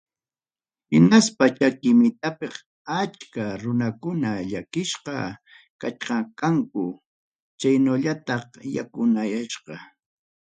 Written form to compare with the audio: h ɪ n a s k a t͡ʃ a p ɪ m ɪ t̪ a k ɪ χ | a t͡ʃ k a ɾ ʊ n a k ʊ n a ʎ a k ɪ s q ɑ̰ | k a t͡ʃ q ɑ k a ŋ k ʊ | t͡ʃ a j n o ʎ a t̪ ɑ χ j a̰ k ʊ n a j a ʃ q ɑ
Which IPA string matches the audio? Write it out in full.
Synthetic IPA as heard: h ɪ n a s p a t͡ʃ a k ɪ m ɪ t̪ a p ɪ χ | a t͡ʃ k a ɾ ʊ n a k ʊ n a ʎ a k ɪ ʃ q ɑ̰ | k a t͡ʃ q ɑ k a ŋ k ʊ | t͡ʃ a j n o ʎ a t̪ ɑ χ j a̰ k ʊ n a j a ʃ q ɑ